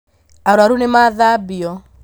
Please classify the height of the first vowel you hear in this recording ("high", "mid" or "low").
low